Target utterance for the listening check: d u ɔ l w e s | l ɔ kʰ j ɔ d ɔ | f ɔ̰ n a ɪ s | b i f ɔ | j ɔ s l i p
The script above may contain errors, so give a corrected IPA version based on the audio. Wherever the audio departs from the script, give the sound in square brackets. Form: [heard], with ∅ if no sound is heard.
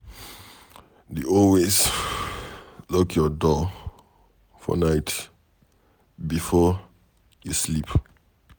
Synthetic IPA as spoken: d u ɔ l w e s | l ɔ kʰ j ɔ d ɔ | f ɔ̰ n a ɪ [t] | b i f ɔ | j [u] s l i p